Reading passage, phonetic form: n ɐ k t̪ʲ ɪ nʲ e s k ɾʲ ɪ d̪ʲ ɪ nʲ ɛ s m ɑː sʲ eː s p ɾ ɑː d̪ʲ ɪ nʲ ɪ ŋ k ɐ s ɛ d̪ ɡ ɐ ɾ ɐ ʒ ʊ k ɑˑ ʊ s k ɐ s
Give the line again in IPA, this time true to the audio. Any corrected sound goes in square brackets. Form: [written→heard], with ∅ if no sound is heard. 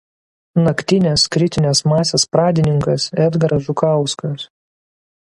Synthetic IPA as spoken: n ɐ k t̪ʲ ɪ nʲ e s k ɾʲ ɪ [d̪ʲ→t̪ʲ] ɪ nʲ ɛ s m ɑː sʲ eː s p ɾ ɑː d̪ʲ ɪ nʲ ɪ ŋ k ɐ s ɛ d̪ ɡ ɐ ɾ ɐ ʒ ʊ k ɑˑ ʊ s k ɐ s